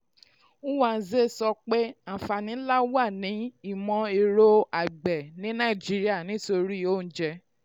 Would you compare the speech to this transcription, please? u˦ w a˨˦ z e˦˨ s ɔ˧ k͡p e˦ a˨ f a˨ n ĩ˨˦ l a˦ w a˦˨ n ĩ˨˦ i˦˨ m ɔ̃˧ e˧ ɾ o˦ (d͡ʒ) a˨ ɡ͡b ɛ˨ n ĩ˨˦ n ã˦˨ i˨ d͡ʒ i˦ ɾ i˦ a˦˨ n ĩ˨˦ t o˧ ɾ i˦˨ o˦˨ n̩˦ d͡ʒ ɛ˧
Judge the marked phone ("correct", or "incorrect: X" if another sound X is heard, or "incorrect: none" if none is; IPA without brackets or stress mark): incorrect: none